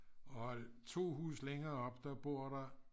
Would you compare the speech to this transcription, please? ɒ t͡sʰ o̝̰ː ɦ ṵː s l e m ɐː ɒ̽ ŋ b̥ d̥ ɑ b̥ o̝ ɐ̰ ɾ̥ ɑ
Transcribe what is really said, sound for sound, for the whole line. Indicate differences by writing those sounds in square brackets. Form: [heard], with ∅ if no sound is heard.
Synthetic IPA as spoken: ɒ t͡sʰ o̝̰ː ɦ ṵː s l e [ŋ] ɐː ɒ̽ [∅] b̥ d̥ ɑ b̥ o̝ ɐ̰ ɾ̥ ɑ